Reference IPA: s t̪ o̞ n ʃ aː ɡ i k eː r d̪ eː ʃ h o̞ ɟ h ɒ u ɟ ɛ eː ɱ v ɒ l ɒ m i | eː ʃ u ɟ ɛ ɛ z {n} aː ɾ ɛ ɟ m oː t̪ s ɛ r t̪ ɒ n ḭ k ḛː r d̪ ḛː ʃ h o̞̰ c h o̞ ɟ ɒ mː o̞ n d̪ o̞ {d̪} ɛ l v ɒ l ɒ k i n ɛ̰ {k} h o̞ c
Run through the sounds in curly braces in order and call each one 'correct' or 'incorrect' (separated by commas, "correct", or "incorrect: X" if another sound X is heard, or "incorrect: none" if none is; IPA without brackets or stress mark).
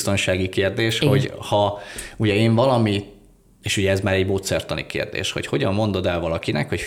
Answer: incorrect: m, correct, correct